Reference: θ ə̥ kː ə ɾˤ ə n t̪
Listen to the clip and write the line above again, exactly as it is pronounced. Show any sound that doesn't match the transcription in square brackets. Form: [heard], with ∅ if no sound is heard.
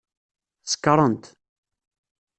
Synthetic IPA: [s] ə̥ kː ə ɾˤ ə n t̪